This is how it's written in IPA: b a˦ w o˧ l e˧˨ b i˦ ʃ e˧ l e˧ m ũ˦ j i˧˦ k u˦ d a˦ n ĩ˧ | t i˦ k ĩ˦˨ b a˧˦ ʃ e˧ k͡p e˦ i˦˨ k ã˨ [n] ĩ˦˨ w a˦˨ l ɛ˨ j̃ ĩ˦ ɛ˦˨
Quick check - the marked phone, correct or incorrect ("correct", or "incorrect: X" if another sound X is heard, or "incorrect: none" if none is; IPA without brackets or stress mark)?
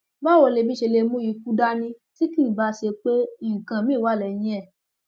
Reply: incorrect: m